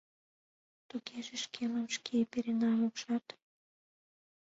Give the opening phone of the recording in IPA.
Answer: t̪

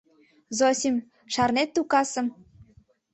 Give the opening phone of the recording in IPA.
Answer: z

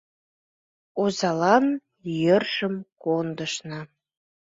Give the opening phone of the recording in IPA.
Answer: o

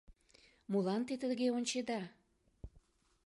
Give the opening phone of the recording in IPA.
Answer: m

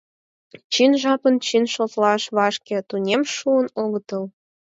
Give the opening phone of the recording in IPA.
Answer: t͡ɕ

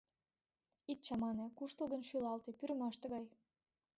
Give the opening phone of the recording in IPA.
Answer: i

